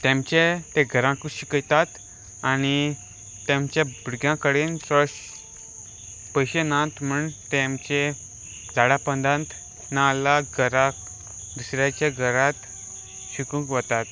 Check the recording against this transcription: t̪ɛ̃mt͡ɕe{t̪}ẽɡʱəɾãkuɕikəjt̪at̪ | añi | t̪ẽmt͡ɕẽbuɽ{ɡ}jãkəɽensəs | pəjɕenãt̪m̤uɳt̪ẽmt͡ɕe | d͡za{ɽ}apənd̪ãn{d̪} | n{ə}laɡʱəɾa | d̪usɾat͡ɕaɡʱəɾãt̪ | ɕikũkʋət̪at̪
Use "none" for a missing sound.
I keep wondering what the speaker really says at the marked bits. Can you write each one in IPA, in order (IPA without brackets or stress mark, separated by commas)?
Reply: t̪, ɡ, ɽ, t̪, a